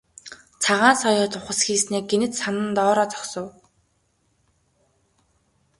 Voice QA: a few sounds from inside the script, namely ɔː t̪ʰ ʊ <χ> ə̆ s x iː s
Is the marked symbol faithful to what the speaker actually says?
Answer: yes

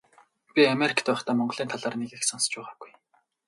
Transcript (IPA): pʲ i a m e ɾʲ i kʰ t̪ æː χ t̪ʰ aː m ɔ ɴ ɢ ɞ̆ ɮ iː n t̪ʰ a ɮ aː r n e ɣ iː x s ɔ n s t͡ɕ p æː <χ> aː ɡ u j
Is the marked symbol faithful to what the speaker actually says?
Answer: no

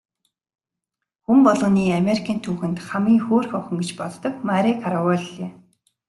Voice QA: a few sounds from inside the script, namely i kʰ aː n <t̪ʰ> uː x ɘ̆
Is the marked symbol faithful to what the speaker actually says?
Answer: yes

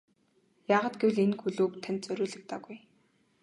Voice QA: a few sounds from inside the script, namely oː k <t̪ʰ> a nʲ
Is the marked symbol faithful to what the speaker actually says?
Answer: yes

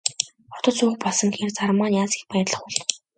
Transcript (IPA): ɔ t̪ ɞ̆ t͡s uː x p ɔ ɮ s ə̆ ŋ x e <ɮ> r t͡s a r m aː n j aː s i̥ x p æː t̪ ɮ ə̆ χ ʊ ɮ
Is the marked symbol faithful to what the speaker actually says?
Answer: no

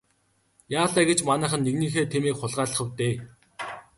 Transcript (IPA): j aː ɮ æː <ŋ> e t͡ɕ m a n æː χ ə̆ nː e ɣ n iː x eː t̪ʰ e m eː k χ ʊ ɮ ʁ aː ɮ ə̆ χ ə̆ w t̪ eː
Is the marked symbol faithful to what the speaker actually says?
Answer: no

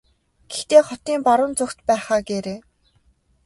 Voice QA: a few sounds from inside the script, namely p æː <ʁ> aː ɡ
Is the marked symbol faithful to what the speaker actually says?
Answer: no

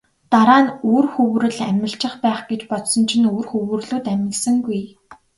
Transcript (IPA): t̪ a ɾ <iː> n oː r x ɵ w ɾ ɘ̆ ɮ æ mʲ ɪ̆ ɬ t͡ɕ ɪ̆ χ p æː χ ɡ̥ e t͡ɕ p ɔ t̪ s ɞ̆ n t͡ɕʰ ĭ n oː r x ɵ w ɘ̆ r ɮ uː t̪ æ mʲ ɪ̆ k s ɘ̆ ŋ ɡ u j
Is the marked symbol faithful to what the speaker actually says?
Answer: no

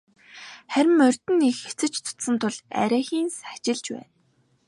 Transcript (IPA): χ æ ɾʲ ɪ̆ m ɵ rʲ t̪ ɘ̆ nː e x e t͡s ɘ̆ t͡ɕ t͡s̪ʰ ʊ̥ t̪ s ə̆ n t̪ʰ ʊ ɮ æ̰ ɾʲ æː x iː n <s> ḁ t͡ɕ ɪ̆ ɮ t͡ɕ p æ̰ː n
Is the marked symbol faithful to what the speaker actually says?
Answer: yes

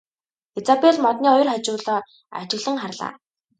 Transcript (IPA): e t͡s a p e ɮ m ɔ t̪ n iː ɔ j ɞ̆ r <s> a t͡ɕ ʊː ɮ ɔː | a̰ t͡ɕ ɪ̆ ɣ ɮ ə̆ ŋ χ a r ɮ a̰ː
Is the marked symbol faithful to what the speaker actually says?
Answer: no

